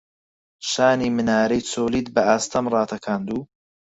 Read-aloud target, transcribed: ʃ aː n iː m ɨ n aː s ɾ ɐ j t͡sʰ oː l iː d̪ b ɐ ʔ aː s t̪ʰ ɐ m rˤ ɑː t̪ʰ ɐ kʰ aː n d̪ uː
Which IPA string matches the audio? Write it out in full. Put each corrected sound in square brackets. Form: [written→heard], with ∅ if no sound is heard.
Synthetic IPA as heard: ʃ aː n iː m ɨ n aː [s→∅] ɾ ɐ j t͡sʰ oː l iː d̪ b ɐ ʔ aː s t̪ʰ ɐ m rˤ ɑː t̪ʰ ɐ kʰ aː n d̪ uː

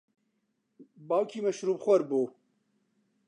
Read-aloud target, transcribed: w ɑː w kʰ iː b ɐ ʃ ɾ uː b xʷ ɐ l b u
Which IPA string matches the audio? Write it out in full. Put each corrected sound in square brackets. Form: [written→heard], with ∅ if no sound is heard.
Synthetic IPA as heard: [w→b] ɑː w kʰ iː [b→m] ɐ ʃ ɾ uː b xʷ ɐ [l→ɾ] b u

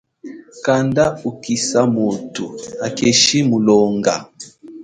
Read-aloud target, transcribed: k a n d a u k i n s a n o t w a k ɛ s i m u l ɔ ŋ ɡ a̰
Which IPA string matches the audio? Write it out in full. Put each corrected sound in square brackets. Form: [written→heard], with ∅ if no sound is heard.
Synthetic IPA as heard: k a n d a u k i [n→∅] s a [n→m] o t [w→u] a k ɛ [s→ʃ] i m u l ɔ ŋ ɡ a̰

